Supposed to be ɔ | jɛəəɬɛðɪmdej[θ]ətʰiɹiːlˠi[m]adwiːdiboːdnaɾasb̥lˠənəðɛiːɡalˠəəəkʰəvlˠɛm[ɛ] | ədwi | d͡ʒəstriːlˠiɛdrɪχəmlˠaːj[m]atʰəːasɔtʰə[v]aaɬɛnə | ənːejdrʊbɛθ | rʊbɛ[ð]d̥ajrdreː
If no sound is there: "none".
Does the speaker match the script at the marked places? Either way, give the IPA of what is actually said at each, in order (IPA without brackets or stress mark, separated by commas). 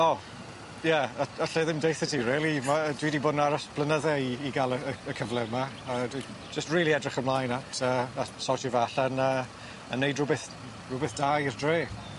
θ, m, a, n, v, θ